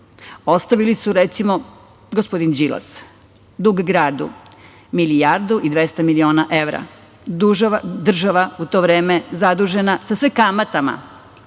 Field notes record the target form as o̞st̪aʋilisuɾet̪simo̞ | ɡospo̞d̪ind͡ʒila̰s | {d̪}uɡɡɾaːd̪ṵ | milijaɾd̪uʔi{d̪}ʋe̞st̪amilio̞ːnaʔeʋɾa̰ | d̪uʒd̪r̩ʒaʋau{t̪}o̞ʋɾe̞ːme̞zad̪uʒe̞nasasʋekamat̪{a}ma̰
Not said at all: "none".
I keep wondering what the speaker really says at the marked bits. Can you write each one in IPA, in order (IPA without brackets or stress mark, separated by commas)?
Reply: d̪, d̪, t̪, a